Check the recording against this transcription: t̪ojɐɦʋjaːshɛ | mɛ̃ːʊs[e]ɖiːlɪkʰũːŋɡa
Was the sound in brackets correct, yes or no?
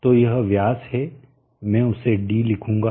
yes